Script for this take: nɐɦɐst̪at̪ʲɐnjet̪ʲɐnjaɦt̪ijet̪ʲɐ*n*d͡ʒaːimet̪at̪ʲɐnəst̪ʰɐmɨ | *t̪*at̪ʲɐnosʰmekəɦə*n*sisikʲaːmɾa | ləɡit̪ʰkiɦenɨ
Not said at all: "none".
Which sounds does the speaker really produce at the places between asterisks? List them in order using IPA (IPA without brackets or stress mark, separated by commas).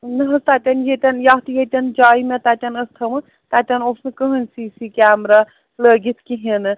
n, t̪, n